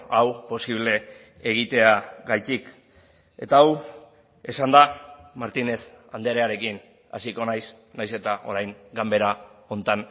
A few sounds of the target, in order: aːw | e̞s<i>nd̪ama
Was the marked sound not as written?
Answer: yes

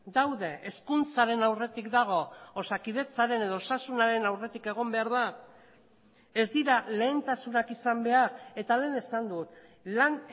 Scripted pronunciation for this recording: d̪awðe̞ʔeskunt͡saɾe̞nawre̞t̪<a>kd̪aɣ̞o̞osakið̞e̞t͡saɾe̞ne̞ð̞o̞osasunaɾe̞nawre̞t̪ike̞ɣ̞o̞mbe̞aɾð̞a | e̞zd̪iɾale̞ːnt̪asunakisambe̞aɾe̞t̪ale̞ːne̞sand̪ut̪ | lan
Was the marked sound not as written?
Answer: yes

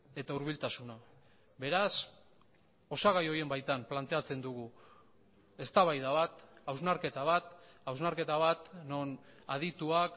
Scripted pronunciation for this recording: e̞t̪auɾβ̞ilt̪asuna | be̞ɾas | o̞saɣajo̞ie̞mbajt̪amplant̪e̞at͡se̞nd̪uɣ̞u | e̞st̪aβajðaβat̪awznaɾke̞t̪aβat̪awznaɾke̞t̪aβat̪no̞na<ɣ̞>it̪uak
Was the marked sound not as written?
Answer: yes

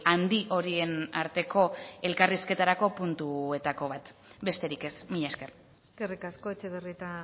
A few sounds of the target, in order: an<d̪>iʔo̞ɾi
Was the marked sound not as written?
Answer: no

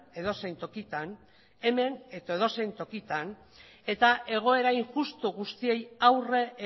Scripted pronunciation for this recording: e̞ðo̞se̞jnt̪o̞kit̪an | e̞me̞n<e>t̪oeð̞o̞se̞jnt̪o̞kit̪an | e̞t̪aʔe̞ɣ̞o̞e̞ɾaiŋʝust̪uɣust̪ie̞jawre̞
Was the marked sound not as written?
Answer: no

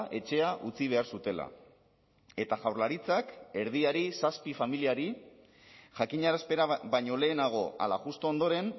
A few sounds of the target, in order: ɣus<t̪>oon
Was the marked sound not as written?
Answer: no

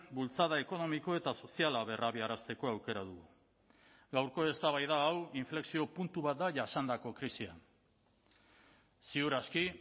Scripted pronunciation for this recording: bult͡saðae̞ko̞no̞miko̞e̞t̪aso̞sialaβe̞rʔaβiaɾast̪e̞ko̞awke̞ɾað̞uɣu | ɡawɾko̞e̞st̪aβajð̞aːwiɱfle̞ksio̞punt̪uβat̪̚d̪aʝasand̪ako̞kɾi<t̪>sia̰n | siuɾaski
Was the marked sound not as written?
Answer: yes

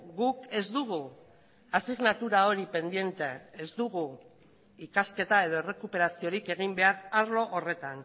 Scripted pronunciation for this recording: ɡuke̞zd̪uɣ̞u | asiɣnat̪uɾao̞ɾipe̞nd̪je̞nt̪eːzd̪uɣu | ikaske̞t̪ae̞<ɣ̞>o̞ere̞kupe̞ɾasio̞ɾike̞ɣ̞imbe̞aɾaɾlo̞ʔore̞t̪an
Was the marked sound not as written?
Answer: yes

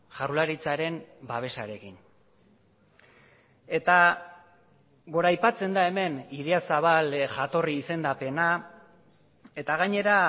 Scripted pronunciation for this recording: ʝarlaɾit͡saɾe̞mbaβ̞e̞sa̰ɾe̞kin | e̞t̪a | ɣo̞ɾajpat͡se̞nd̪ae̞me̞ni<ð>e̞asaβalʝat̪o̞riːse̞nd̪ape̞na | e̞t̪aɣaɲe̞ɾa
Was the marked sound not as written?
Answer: no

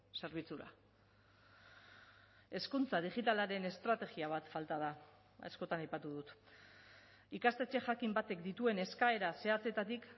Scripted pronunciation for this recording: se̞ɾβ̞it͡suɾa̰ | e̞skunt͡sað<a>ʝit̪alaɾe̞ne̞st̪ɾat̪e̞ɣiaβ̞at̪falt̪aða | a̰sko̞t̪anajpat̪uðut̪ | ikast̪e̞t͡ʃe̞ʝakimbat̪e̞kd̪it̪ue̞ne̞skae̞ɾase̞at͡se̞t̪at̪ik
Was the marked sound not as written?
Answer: yes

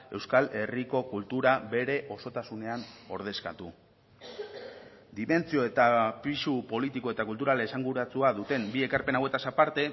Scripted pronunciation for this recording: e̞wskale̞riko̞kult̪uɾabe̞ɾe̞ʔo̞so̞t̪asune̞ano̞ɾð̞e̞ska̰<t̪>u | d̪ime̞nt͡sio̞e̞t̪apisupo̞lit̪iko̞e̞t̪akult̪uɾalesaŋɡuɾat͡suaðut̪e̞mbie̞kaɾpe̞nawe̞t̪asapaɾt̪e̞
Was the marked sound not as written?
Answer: no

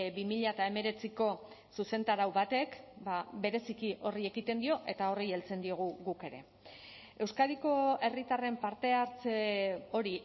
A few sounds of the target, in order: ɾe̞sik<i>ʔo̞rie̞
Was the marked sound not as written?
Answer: no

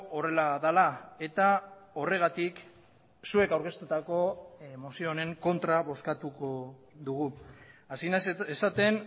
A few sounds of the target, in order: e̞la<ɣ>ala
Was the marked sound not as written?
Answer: yes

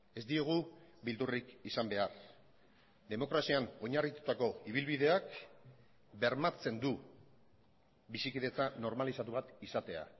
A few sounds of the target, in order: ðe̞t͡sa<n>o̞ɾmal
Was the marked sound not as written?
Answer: no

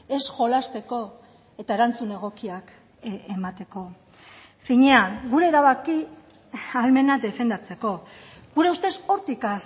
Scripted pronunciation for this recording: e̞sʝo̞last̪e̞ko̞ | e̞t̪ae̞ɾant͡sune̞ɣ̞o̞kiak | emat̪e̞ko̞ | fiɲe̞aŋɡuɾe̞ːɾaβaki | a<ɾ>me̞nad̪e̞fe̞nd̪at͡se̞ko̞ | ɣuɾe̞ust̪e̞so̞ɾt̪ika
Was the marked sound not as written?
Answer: yes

